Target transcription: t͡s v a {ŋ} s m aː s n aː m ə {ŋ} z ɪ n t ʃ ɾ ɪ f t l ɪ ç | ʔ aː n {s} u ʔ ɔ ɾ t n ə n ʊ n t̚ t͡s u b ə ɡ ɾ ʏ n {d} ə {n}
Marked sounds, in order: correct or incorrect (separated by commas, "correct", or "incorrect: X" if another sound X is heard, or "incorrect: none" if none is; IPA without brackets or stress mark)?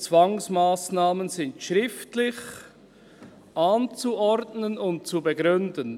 correct, incorrect: n, incorrect: t͡s, correct, correct